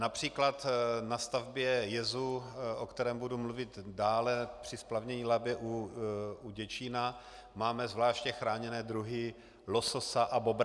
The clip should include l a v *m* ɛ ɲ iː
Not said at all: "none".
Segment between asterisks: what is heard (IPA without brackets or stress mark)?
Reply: ɲ